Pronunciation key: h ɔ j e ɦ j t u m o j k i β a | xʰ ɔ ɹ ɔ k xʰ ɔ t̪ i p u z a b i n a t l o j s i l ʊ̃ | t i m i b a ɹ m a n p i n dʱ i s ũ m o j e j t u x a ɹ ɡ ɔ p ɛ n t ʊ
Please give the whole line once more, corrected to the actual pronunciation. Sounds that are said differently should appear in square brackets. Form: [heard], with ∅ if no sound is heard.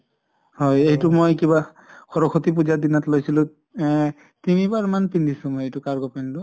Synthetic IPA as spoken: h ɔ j e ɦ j t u m o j k i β a | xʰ ɔ ɹ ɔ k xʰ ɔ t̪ i p u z a [d] i n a t l o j s i l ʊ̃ | t i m i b a ɹ m a n p i n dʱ i s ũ m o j e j t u [k] a ɹ ɡ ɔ p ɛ n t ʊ